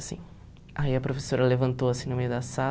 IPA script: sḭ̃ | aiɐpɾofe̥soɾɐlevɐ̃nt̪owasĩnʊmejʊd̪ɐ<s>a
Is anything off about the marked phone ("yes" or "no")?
no